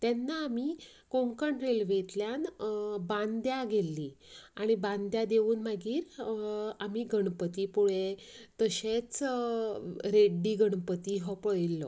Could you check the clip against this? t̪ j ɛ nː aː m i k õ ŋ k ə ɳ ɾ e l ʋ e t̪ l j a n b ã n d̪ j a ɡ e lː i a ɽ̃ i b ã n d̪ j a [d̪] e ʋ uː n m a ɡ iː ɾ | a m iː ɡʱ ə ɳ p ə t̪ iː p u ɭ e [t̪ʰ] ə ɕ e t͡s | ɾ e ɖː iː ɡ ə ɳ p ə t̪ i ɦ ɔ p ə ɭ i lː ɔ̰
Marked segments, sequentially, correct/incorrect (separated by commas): correct, incorrect